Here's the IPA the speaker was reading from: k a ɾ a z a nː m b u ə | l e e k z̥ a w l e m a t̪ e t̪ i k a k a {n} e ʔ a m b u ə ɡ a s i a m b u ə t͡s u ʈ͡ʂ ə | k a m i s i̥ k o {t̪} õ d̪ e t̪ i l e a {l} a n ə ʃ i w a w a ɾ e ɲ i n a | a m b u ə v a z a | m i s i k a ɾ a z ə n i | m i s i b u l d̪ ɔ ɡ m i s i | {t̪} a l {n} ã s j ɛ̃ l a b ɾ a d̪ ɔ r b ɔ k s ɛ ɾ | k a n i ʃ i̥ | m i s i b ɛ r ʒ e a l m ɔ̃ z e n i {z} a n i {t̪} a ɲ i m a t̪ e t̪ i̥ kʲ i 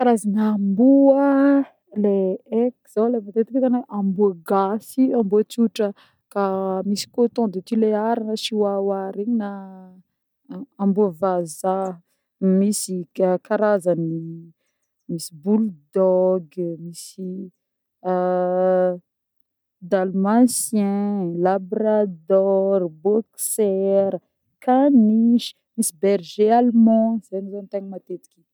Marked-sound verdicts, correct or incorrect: correct, correct, incorrect: ɾ, incorrect: d̪, incorrect: m, correct, correct

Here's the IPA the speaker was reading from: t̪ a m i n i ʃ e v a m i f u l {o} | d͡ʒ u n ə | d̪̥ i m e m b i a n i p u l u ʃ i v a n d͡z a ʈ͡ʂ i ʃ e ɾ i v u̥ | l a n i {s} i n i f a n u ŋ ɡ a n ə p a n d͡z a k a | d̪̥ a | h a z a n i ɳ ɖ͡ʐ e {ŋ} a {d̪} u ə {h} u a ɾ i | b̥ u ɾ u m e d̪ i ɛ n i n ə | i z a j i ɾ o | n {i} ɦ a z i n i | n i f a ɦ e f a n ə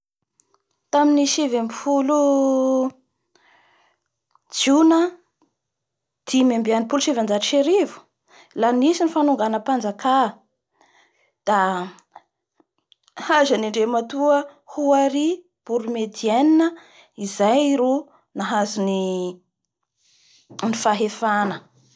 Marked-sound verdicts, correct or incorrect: incorrect: u, correct, incorrect: m, incorrect: t̪, correct, incorrect: a

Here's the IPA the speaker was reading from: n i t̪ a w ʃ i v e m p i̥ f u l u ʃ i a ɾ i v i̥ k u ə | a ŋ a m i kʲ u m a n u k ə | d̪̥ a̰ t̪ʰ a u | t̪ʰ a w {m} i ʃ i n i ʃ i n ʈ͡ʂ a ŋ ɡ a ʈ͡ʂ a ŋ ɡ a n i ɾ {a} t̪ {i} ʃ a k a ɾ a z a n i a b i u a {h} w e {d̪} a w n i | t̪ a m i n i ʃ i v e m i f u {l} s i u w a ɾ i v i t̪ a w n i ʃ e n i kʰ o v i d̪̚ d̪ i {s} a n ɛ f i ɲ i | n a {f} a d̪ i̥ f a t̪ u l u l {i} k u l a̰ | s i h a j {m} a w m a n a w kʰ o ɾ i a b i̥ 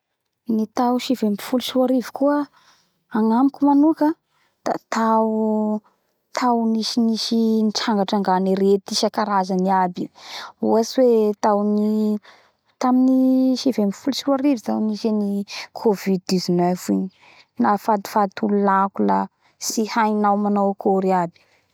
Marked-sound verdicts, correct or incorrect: incorrect: n, incorrect: e, correct, incorrect: s, incorrect: t̪, correct, incorrect: z, correct, incorrect: a, incorrect: n

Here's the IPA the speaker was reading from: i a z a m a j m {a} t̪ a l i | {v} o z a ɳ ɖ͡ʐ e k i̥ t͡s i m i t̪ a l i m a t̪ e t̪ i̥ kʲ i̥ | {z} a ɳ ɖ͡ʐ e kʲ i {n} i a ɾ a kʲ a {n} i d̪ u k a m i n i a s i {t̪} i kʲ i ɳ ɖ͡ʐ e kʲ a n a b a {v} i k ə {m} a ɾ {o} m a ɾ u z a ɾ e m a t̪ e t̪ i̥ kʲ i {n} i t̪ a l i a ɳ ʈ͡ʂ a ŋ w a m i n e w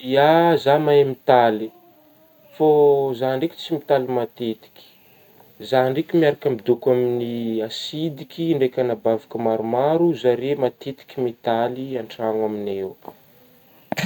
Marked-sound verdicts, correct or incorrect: incorrect: i, incorrect: f, correct, incorrect: m, incorrect: m, incorrect: d̪, correct, correct, incorrect: u, incorrect: m

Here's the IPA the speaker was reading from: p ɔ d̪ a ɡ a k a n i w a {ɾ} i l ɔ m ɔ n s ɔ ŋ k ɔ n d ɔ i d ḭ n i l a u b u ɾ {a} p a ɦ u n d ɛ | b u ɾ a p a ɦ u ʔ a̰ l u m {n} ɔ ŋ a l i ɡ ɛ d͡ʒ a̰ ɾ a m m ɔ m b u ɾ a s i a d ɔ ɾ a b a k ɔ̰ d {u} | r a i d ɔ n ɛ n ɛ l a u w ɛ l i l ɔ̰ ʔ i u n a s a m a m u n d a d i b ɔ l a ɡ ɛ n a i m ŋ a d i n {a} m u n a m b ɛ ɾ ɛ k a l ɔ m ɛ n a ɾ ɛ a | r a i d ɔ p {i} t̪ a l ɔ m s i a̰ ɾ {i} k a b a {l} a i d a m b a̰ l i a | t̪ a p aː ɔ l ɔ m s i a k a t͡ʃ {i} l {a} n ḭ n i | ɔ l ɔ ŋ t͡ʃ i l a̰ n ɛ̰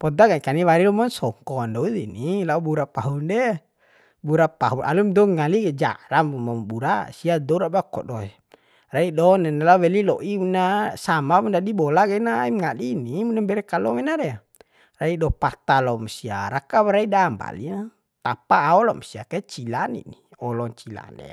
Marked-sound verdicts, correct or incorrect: correct, correct, incorrect: d, incorrect: ɔ, incorrect: i, incorrect: a, incorrect: a, incorrect: ɾ, correct, correct

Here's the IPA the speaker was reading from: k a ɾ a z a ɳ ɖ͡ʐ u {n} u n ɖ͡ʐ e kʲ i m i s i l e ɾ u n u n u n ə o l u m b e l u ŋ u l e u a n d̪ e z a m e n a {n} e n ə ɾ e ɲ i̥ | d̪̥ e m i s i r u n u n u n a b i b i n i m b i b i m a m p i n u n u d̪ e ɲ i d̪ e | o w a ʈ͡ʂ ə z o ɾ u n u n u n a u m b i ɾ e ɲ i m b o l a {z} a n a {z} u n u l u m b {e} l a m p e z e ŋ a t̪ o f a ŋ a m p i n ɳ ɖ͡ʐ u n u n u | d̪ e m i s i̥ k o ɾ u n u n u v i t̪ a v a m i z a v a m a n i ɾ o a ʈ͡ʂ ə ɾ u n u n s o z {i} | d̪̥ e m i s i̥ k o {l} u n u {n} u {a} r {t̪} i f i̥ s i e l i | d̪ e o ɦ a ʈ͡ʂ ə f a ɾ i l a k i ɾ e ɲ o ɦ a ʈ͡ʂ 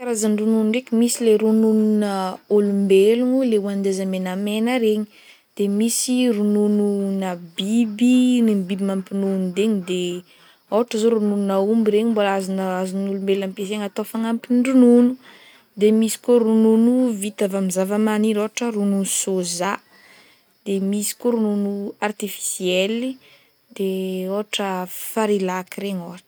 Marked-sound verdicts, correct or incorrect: correct, incorrect: m, correct, correct, correct, incorrect: a, incorrect: ɾ, correct, correct, correct

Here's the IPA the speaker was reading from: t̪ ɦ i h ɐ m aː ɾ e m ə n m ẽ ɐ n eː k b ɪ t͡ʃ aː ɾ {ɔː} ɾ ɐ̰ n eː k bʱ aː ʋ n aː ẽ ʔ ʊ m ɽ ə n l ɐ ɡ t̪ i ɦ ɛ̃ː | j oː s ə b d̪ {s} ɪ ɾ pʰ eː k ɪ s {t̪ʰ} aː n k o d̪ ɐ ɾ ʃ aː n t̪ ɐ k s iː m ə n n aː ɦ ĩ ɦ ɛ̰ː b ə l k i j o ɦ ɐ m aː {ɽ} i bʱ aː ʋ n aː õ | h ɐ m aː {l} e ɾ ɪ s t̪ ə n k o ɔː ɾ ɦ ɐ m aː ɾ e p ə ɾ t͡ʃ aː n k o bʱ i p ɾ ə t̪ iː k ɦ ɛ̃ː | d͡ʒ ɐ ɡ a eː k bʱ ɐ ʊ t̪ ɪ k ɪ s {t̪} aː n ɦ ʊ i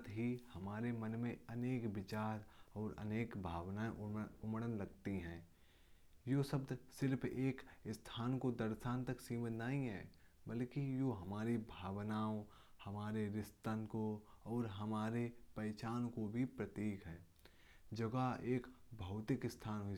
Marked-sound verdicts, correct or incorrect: correct, correct, correct, incorrect: ɾ, incorrect: ɾ, incorrect: t̪ʰ

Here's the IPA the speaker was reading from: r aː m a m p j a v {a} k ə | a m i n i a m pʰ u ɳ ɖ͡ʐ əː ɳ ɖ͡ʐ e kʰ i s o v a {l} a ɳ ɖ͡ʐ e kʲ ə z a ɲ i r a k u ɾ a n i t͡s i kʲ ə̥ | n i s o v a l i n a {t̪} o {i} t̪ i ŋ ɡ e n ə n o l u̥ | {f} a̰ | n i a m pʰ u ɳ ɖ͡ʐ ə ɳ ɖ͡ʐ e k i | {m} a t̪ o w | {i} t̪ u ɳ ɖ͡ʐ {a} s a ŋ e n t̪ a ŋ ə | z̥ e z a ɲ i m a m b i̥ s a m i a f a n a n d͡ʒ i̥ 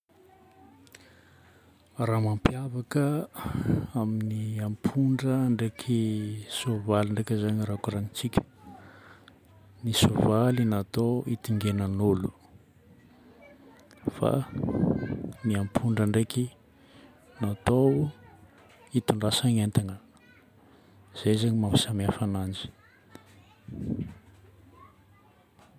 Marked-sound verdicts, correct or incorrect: correct, correct, correct, correct, correct, incorrect: n, correct, correct

